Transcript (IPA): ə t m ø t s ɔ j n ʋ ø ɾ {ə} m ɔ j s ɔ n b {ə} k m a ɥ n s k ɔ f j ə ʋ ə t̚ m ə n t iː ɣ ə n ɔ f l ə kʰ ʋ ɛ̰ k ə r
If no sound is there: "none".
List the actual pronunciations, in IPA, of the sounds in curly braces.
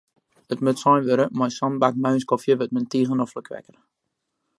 ə, a

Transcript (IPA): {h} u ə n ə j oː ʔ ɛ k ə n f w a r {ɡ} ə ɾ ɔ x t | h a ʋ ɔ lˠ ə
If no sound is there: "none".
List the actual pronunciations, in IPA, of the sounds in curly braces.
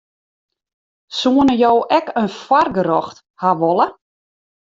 s, ɡ

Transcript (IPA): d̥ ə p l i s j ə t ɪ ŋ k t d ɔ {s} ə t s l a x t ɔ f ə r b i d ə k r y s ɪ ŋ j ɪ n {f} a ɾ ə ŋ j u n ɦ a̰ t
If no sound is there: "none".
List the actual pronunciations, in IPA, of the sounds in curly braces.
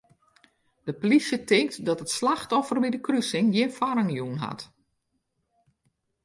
t, f

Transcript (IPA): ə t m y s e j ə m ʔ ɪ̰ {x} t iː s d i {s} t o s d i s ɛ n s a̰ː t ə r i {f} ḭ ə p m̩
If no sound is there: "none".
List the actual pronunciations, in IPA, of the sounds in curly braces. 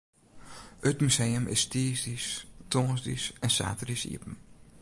s, s, s

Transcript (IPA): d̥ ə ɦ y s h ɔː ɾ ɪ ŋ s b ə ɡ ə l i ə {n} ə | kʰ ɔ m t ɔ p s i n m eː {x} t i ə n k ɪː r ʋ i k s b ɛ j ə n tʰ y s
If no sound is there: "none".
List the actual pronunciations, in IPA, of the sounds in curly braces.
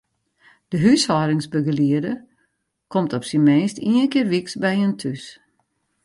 d, s

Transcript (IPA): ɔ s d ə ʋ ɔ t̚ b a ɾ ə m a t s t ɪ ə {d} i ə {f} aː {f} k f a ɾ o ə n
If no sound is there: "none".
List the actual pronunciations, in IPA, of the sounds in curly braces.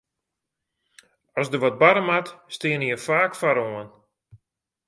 n, f, none

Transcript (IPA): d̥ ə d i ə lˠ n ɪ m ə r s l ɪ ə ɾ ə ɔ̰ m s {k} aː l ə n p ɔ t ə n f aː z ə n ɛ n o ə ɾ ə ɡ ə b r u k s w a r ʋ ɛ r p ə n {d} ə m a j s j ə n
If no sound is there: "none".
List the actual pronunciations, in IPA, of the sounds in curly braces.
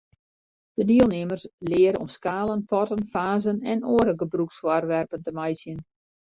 k, t

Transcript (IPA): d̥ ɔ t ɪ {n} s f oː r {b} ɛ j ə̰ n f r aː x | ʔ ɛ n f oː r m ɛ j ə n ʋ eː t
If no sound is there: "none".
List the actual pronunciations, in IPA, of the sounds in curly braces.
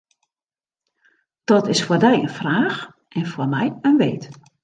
none, d

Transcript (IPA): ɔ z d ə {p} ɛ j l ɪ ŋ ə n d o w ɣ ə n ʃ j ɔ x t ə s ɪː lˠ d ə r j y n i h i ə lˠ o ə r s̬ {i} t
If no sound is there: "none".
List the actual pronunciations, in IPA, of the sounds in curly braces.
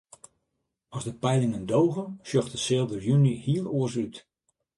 p, y

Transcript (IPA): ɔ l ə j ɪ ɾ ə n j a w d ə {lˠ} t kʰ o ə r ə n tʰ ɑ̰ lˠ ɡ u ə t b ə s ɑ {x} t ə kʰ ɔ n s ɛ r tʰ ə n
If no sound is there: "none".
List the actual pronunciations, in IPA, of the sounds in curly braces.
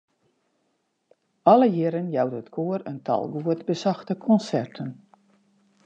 none, x

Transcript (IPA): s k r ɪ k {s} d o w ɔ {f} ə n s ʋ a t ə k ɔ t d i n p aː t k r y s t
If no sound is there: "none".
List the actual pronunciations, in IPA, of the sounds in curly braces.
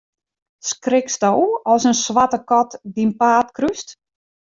s, s

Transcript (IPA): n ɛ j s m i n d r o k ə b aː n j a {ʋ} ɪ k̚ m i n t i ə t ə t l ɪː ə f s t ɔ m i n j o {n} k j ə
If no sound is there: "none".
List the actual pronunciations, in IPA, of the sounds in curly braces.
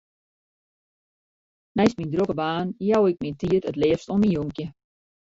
w, ŋ

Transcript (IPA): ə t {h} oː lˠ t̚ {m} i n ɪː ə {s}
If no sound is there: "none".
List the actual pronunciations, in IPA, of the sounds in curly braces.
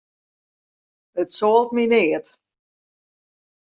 s, m, t

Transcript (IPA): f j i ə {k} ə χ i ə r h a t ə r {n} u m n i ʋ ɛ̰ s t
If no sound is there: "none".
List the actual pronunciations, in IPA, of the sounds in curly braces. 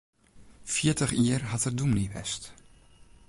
t, d

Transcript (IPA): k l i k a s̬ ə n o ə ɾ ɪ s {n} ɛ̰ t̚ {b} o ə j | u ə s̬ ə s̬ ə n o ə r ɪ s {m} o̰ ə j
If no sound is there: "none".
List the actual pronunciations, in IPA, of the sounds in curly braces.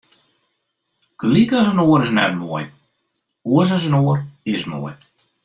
n, m, m

